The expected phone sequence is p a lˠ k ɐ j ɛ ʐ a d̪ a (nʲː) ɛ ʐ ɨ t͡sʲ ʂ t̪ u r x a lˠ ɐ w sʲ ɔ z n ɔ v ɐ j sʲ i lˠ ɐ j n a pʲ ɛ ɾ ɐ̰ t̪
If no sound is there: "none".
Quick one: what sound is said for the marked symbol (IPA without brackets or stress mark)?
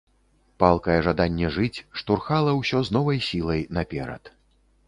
nʲː